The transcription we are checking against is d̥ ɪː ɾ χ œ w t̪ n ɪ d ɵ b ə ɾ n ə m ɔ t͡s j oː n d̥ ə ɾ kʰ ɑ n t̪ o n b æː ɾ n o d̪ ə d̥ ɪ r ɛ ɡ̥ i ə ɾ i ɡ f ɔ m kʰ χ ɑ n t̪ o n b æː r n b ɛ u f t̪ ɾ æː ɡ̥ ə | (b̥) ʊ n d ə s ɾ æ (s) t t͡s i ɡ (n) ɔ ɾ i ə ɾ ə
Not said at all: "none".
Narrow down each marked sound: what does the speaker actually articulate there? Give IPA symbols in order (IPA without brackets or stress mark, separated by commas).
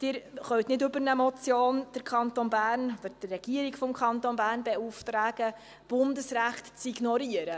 b̥, χ, n